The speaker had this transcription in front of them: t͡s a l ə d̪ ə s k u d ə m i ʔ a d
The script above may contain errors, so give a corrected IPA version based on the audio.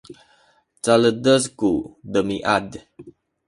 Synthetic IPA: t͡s a l ə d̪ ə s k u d ə m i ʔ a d